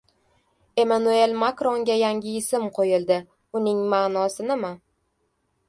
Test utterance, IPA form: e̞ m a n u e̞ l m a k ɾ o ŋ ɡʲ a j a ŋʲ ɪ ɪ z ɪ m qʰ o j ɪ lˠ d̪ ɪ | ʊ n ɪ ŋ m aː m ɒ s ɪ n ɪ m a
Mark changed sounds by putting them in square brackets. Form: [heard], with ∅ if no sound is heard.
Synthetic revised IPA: e̞ m a n u e̞ l m a k ɾ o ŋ ɡʲ a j a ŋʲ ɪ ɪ [s] ɪ m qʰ o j ɪ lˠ d̪ ɪ | ʊ n ɪ ŋ m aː [n] ɒ s ɪ n ɪ m a

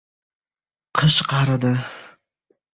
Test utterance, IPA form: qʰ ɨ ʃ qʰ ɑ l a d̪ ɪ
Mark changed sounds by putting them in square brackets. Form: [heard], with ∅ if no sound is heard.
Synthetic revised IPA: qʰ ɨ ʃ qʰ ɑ [ɾ] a d̪ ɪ

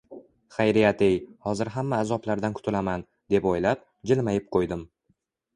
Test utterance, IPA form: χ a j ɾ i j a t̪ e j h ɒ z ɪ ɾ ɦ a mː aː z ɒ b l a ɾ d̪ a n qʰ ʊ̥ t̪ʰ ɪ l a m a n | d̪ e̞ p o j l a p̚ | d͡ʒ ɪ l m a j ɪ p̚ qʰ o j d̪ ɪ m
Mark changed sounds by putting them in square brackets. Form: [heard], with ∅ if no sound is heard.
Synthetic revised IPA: χ a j ɾ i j a t̪ e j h ɒ z ɪ ɾ ɦ a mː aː z ɒ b l a ɾ d̪ a n [kʰ] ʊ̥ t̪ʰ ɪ l a m a n | d̪ e̞ p o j l a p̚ | d͡ʒ ɪ l m a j ɪ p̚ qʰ o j d̪ ɪ m

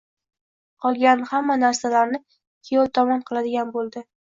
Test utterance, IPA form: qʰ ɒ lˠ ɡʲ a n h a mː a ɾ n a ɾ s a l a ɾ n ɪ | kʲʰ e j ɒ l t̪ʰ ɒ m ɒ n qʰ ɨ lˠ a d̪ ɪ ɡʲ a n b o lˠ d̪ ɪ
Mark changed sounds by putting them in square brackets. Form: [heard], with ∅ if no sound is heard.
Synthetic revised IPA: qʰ ɒ lˠ ɡʲ a n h a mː a [∅] n a ɾ s a l a ɾ n ɪ | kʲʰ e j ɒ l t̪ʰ ɒ m ɒ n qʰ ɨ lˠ a d̪ ɪ ɡʲ a n b o lˠ d̪ ɪ

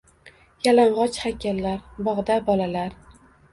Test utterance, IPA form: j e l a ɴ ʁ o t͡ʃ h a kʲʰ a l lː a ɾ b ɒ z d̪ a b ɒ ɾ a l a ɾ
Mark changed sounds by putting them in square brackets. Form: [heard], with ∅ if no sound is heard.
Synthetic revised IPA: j [a] l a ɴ ʁ [ɒ] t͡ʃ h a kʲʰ a l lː a ɾ b ɒ [ʁ] d̪ a b ɒ [l] a l a ɾ

